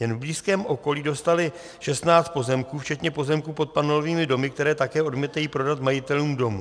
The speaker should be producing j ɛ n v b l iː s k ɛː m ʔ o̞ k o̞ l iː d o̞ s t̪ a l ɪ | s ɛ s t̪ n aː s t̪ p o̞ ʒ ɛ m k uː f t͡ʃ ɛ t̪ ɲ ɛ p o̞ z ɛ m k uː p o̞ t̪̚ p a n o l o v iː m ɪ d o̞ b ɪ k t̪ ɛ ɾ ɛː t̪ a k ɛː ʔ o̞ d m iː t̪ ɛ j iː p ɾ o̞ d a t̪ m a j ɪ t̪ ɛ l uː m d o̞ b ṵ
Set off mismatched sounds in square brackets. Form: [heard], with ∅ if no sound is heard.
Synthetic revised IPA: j ɛ n v b l iː s k ɛː m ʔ o̞ k o̞ l iː d o̞ s t̪ a l ɪ | [ʃ] ɛ s t̪ n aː [t͡s] t̪ p o̞ [z] ɛ m k uː f t͡ʃ ɛ t̪ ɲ ɛ p o̞ z ɛ m k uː p o̞ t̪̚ p a n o l o v iː m ɪ d o̞ [m] ɪ k t̪ ɛ ɾ ɛː t̪ a k ɛː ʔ o̞ d m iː t̪ [a] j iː p ɾ o̞ d a t̪ m a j ɪ t̪ ɛ l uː m d o̞ [m] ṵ